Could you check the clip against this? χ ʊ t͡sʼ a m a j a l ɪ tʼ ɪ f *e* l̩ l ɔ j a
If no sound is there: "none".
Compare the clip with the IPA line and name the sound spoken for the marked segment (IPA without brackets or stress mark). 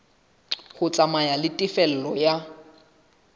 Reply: ɛ